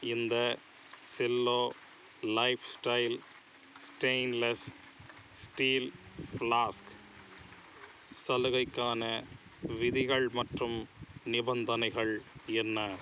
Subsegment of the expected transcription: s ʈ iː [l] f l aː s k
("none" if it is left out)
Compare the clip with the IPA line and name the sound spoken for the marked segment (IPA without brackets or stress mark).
l